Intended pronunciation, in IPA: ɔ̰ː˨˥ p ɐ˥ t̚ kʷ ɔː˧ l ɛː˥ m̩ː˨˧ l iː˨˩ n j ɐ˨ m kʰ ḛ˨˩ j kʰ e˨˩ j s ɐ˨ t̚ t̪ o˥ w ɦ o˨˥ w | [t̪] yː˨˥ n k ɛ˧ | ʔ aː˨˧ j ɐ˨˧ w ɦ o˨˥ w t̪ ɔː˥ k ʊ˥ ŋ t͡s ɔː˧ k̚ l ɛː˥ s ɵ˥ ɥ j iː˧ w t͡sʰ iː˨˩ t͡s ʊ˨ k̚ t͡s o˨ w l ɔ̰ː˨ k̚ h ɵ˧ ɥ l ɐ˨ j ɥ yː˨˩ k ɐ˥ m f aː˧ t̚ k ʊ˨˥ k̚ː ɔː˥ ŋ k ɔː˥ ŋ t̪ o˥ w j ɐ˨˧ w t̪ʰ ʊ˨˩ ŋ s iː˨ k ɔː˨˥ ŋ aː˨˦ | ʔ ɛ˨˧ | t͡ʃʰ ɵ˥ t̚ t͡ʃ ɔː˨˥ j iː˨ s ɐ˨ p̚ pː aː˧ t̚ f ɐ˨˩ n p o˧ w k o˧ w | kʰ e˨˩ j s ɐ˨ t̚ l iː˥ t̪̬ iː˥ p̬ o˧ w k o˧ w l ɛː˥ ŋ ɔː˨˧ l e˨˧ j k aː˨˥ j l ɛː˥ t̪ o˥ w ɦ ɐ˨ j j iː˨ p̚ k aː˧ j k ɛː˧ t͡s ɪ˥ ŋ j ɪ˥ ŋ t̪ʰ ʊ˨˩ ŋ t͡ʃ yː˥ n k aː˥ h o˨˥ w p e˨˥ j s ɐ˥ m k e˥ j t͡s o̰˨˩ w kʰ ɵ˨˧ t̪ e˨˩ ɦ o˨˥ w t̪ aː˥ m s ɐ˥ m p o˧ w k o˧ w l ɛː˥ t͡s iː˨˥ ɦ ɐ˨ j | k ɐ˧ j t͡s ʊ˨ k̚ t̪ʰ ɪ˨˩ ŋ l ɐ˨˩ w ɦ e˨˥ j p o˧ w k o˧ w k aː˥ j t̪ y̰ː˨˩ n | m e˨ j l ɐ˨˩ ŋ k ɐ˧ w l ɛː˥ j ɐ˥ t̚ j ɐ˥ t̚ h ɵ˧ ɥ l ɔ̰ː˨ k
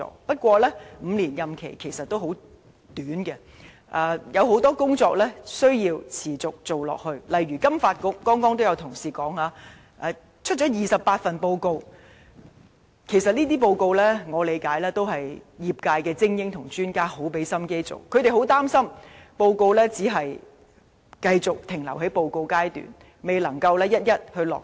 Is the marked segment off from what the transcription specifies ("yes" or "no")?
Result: no